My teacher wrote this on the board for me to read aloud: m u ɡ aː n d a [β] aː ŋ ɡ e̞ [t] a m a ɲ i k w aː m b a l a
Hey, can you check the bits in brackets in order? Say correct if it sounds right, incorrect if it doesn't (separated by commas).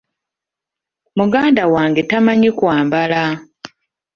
incorrect, correct